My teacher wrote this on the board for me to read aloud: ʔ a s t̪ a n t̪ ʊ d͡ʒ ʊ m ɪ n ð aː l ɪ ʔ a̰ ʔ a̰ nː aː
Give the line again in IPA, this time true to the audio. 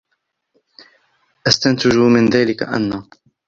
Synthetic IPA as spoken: ʔ a s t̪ a n t̪ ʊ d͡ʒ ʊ m ɪ n ð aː l ɪ k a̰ ʔ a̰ nː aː